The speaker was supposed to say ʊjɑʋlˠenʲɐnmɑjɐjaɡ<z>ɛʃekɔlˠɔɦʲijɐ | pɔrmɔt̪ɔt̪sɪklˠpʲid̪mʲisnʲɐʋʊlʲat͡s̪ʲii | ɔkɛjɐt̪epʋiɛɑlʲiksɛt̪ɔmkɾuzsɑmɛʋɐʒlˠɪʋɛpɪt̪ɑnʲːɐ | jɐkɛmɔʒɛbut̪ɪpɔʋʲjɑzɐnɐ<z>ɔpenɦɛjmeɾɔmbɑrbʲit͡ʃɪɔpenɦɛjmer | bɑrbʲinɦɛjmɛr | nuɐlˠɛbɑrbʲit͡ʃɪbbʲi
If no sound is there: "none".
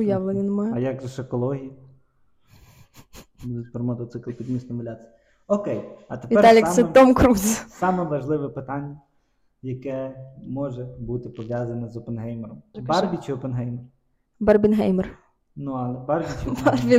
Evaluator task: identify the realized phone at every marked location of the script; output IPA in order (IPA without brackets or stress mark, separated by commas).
ʒ, z